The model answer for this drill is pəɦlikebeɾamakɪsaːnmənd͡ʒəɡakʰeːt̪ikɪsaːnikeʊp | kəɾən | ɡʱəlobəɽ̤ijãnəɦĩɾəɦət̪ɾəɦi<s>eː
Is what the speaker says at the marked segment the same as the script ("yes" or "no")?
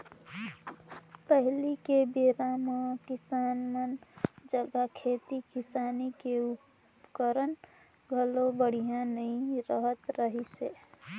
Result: yes